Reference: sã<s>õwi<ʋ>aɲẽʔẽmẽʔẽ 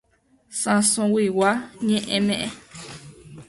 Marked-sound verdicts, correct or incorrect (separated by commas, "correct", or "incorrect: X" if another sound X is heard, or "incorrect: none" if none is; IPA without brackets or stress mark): correct, incorrect: w